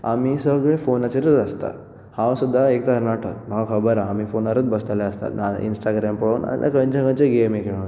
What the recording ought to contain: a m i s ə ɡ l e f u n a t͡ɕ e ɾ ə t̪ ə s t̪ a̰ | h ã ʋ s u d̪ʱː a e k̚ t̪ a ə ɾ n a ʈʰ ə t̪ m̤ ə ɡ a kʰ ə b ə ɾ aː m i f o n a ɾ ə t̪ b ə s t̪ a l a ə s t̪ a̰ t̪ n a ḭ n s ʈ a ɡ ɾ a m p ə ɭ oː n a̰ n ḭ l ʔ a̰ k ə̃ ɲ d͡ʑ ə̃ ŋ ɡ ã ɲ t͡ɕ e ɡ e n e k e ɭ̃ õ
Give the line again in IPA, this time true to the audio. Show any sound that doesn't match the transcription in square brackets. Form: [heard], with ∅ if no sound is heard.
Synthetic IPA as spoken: a m i s ə ɡ [ɭ] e f [o] n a t͡ɕ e ɾ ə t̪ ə s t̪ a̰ | h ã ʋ s u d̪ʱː a e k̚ t̪ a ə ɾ n a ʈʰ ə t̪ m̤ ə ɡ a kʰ ə b ə ɾ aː m i f o n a ɾ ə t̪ b ə s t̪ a l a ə s t̪ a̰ t̪ n a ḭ n s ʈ a ɡ ɾ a m p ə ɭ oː n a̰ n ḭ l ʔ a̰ k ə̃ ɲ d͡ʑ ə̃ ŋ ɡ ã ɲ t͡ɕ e ɡ e [m] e k e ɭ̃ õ